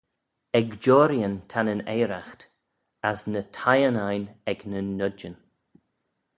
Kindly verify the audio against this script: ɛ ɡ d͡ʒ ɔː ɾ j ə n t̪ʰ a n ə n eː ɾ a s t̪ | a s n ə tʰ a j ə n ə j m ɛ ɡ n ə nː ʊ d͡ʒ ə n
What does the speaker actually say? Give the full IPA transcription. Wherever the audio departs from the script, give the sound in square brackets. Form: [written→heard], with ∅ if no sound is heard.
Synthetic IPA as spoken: ɛ ɡ d͡ʒ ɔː ɾ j ə n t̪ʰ a n ə n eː ɾ a [s→x] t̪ | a s n ə tʰ a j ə n [ə→a] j [m→n] ɛ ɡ n ə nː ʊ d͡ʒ ə n